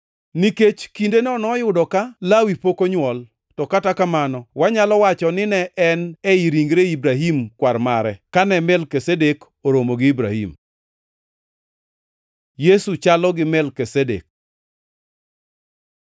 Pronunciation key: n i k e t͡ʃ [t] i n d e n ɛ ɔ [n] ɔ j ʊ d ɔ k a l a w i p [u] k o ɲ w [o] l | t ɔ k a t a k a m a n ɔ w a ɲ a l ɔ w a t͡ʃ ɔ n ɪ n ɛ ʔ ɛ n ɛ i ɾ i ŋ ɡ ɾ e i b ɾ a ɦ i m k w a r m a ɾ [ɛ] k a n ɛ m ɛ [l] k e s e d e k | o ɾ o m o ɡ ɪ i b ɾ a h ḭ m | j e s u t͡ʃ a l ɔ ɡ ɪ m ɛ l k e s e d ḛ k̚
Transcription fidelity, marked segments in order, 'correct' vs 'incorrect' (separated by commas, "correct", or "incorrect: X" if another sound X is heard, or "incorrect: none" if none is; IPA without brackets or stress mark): incorrect: k, correct, incorrect: o, incorrect: ɔ, correct, correct